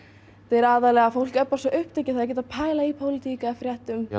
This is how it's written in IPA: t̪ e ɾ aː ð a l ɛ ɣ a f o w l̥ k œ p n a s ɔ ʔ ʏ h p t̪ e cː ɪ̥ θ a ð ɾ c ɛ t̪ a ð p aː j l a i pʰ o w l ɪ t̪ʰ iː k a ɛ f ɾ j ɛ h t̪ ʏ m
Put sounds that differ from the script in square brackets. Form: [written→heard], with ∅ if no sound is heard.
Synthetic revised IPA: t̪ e ɾ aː ð a l ɛ ɣ a f o w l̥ k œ p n a s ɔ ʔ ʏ h p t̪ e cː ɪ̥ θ a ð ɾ c ɛ t̪ a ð [p→pʰ] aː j l a i pʰ o w l ɪ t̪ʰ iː k a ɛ f ɾ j ɛ h t̪ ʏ m